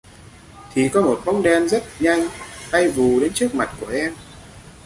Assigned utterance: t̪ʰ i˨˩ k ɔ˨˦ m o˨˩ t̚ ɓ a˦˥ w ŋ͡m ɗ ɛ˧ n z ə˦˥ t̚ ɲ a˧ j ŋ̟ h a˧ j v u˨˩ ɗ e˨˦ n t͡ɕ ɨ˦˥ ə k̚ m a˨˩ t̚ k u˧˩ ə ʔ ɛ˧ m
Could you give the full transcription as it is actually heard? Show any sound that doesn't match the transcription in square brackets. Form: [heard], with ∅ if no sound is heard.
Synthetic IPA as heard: t̪ʰ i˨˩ k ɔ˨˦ m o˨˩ t̚ ɓ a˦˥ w ŋ͡m ɗ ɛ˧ n z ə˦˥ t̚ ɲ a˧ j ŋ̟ h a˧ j v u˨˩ ɗ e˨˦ n t͡ɕ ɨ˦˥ ə k̚ m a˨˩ t̚ k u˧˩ ə ʔ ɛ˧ m